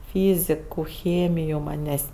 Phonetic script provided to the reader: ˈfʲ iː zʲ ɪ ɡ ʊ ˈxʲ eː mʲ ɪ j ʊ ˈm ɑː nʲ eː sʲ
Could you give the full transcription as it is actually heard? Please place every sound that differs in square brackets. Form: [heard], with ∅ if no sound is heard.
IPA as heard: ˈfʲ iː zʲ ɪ [k] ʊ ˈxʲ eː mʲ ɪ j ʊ ˈm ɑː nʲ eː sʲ